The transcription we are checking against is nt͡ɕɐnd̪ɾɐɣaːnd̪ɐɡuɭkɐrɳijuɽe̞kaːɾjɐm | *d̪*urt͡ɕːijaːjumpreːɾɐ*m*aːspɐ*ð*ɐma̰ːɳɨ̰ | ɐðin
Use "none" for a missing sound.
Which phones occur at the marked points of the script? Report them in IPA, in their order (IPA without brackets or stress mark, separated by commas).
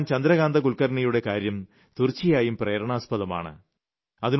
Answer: t̪, ɳ, ð